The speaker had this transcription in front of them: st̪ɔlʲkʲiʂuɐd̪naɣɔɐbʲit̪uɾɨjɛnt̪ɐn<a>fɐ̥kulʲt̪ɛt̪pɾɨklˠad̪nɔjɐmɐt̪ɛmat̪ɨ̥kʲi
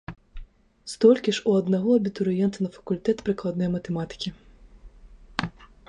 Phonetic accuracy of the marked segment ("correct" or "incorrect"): incorrect